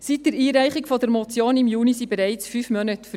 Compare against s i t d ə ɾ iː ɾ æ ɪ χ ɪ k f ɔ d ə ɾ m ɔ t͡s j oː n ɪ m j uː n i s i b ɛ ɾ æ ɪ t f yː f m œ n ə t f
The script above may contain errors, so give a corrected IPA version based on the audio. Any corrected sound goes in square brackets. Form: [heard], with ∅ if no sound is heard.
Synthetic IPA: s i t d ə ɾ iː ɾ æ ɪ χ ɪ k f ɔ d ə ɾ m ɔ t͡s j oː n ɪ m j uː n i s i b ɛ ɾ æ ɪ [t͡s] f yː f m œ n ə t f